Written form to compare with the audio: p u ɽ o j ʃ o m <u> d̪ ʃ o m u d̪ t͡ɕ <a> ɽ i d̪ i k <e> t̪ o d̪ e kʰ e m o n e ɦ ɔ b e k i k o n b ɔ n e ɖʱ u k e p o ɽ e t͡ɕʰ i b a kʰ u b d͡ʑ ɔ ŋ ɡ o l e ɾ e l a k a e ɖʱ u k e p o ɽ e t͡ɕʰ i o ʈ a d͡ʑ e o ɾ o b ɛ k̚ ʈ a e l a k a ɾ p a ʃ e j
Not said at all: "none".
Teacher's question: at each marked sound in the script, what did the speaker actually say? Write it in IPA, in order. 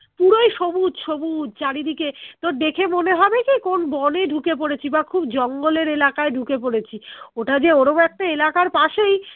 u, a, e

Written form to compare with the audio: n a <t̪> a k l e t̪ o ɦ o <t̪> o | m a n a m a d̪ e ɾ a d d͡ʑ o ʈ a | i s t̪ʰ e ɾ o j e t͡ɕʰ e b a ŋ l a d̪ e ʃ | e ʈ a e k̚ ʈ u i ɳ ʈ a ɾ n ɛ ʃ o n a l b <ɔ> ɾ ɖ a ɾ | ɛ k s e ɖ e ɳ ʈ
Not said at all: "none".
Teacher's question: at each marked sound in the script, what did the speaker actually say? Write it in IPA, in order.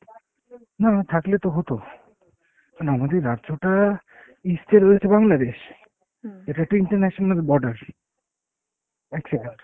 t̪ʰ, t̪, ɔ

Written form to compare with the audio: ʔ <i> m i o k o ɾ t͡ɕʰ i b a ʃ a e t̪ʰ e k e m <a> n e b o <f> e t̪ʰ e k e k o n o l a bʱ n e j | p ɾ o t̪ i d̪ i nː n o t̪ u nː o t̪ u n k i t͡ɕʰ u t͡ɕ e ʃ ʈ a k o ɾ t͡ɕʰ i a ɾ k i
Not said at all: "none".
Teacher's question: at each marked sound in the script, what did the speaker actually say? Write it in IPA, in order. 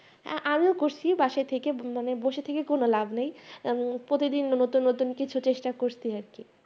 a, a, ʃ

